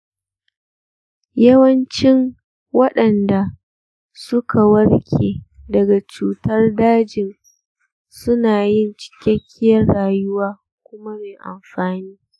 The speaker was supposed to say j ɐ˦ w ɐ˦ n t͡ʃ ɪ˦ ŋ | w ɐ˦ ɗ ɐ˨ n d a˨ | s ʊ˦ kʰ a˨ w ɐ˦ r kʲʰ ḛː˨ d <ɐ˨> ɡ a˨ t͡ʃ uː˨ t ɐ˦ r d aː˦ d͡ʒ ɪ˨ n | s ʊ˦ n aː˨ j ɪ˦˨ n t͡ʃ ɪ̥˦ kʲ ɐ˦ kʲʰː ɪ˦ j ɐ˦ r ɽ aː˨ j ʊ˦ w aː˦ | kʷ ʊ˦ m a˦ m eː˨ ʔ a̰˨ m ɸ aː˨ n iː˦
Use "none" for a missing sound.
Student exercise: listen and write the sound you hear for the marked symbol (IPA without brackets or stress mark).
ɐ˨